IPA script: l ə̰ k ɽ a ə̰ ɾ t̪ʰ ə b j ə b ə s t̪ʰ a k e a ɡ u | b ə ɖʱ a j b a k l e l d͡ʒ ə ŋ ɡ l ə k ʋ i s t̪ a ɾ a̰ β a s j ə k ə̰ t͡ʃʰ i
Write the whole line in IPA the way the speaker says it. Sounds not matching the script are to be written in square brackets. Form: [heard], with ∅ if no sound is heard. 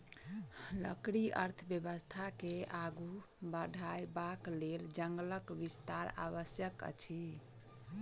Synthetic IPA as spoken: l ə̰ k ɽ [i] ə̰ ɾ t̪ʰ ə b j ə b ə s t̪ʰ a k e a ɡ u | b ə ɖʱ a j b a k l e l d͡ʒ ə ŋ ɡ l ə k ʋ i s t̪ a ɾ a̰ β [ə] s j ə k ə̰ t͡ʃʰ i